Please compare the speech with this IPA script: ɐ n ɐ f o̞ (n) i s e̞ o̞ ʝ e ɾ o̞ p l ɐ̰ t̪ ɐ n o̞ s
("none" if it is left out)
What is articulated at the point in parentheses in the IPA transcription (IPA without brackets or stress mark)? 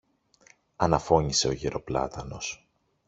ɲ